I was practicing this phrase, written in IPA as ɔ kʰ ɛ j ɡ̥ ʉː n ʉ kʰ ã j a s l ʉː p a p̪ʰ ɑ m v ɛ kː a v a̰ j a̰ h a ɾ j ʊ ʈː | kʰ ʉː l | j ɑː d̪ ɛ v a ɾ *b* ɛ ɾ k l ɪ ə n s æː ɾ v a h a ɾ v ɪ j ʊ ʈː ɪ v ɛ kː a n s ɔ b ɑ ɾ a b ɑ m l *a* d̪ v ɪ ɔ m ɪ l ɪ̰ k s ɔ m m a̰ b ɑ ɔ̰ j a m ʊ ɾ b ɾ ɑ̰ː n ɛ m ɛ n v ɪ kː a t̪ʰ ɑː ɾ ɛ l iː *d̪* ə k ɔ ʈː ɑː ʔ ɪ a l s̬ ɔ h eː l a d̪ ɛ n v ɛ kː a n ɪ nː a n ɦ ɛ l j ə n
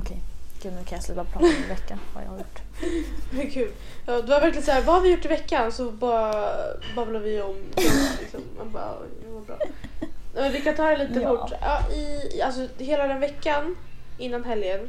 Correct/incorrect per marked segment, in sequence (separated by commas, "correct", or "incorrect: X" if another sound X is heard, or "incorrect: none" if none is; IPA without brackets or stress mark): incorrect: v, correct, incorrect: t̪